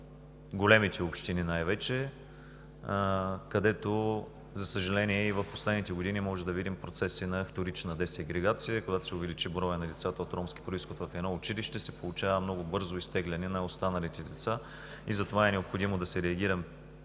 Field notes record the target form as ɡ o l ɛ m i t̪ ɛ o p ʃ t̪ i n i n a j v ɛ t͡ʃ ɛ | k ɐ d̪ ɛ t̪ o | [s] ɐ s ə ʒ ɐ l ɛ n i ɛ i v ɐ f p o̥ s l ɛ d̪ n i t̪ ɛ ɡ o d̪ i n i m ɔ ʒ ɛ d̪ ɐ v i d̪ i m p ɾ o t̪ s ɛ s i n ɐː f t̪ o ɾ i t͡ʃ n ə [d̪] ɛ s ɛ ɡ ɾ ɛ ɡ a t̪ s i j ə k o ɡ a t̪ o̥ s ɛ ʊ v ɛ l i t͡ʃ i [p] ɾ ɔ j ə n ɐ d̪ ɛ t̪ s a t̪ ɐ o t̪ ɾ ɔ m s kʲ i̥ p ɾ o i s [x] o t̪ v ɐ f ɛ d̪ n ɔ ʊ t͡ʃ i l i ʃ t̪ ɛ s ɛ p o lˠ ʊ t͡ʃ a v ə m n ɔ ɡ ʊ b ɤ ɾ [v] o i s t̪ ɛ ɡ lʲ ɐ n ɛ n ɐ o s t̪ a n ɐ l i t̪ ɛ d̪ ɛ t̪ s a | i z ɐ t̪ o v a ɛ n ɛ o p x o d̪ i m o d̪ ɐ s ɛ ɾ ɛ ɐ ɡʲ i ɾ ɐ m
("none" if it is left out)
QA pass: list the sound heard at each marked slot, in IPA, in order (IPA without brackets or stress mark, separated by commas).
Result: z, d̪, b, x, z